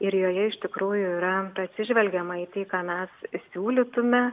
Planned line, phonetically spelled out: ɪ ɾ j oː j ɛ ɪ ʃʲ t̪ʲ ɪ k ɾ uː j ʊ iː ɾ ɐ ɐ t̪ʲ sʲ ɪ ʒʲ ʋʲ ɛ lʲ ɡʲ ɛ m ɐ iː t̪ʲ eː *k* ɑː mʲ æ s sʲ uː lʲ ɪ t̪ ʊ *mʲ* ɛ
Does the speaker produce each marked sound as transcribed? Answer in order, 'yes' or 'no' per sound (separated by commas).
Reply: yes, yes